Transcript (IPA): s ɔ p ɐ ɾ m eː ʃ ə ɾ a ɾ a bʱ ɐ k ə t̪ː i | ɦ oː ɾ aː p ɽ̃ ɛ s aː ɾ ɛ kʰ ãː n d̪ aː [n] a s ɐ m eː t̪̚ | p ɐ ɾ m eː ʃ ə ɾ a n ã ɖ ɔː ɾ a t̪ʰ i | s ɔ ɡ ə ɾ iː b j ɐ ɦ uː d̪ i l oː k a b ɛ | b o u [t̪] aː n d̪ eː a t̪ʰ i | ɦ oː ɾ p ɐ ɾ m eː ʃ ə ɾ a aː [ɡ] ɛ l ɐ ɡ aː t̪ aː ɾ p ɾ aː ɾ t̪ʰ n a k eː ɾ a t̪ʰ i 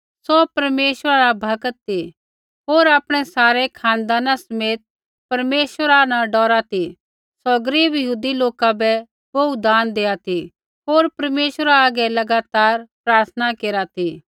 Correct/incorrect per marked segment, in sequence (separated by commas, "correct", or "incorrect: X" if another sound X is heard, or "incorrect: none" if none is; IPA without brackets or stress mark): correct, incorrect: d̪, correct